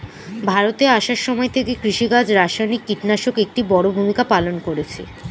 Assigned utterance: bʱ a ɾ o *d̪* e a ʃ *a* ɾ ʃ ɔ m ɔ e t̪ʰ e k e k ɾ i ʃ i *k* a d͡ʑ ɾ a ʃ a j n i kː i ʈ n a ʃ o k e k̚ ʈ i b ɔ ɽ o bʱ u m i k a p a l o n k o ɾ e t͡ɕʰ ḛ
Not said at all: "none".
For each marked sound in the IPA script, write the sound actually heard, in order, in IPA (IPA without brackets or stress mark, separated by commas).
t̪, a, ɡ